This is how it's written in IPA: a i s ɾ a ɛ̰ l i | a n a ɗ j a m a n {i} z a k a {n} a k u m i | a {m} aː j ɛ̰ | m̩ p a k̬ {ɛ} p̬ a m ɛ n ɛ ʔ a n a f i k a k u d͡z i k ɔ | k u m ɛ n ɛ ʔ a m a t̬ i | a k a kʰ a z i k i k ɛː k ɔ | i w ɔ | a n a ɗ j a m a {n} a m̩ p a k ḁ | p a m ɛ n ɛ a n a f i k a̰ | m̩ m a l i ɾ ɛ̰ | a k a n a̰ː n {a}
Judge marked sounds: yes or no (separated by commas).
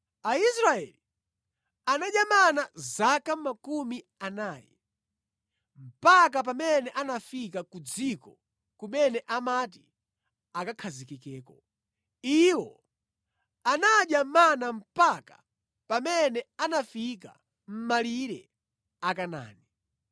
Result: no, no, no, no, yes, no